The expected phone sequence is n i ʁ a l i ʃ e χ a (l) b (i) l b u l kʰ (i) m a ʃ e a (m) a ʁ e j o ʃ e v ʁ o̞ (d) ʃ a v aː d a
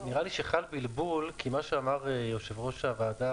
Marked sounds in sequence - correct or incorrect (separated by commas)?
correct, correct, correct, correct, incorrect